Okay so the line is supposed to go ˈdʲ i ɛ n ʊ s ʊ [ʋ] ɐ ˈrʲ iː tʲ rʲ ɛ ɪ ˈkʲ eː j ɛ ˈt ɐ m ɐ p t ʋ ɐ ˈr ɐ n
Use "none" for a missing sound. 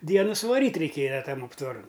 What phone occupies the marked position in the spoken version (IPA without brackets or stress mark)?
ʋ